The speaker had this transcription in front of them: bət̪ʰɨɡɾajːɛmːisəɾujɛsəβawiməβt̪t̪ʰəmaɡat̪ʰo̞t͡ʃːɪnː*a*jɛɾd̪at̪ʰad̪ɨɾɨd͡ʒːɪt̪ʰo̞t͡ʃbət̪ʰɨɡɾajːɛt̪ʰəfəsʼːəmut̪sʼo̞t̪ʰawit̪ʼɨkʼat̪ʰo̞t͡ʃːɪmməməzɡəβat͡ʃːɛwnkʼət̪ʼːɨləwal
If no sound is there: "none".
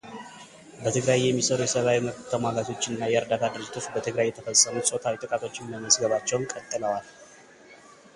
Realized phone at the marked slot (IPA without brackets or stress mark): a